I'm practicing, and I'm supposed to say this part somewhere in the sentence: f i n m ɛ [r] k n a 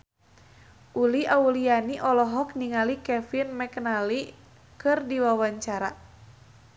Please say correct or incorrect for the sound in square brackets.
incorrect